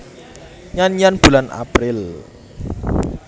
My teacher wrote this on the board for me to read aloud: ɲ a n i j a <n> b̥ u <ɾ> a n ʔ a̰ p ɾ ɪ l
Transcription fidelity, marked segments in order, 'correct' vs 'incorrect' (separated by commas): correct, incorrect